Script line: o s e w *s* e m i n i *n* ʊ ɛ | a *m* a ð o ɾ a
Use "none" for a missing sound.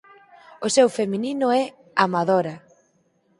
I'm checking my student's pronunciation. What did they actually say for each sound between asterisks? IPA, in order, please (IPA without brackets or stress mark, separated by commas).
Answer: f, n, m